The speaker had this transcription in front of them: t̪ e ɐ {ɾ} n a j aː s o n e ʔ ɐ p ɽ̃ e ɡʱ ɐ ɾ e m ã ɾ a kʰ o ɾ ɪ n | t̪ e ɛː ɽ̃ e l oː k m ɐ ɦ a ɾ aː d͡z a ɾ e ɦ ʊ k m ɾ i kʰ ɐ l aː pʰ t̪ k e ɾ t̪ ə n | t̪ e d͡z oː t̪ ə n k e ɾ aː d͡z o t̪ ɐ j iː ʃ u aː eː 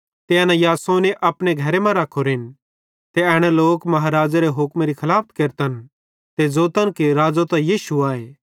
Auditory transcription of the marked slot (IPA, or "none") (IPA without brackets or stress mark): none